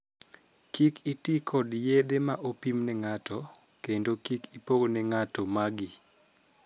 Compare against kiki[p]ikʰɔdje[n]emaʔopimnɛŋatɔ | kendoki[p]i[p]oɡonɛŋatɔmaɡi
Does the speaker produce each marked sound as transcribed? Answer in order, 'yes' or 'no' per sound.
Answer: no, no, no, yes

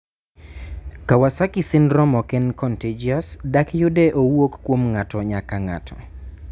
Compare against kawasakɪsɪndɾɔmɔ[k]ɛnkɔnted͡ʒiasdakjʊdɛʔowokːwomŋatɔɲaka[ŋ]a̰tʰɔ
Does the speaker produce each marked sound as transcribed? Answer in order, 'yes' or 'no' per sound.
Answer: yes, yes

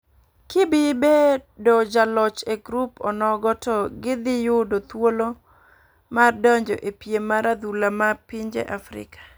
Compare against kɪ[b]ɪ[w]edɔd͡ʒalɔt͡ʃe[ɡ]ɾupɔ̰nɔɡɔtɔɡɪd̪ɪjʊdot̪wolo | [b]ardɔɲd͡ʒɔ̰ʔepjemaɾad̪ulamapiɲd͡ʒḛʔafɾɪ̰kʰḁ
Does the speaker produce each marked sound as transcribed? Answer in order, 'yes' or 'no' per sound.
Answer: yes, no, yes, no

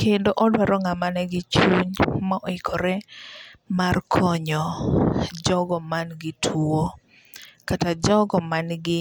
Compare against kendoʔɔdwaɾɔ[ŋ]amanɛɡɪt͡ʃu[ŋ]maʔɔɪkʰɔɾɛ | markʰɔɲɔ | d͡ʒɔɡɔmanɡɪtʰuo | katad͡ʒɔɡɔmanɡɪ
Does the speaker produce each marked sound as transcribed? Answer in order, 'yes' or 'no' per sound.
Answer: yes, no

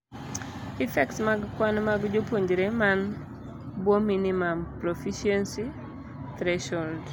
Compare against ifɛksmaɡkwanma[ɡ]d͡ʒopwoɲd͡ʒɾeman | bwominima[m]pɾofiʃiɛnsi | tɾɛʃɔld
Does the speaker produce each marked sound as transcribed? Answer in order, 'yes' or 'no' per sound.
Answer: yes, yes

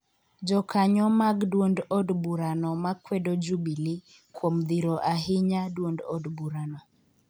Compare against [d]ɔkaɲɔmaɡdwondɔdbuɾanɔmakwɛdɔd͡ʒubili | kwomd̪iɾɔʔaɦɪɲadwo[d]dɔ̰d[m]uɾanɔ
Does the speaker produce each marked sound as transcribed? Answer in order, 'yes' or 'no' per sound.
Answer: no, no, no

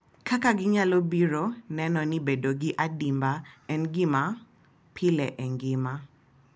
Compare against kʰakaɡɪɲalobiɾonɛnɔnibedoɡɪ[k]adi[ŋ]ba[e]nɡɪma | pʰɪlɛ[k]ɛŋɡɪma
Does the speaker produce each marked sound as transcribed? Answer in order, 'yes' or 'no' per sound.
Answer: no, no, no, no

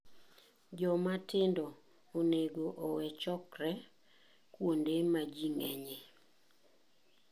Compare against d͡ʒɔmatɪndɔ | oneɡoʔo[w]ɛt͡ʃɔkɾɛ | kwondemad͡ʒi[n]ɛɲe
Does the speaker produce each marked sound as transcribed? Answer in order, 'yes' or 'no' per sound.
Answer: yes, no

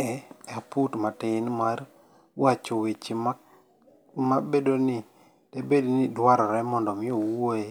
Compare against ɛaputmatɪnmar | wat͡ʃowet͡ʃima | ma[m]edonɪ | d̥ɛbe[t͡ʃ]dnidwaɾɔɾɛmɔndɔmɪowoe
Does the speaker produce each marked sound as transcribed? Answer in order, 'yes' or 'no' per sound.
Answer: no, no

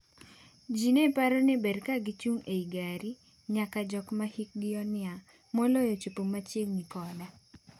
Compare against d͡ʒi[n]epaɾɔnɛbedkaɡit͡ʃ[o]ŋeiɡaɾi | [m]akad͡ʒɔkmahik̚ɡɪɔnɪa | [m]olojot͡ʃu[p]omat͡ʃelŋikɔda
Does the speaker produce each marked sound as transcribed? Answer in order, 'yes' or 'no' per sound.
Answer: yes, no, no, yes, yes

